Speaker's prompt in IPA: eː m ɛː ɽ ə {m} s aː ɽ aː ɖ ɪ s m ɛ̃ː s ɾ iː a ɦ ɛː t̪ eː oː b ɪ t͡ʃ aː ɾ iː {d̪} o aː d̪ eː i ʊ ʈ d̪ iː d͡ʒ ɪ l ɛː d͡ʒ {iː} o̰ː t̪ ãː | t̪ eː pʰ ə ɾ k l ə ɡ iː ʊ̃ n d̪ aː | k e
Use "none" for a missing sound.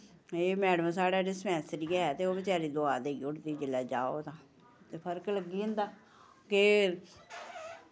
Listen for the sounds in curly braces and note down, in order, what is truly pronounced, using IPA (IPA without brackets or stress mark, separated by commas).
m, d̪, aː